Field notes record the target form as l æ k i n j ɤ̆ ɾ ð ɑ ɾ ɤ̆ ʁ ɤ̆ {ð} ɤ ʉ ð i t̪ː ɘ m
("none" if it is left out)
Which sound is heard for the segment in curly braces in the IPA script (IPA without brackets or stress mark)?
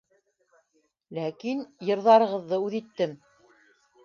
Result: ðː